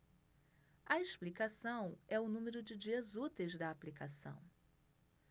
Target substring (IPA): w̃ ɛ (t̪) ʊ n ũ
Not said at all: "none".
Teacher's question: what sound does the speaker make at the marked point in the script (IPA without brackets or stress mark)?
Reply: none